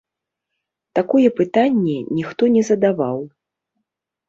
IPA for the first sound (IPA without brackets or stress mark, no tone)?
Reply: t̪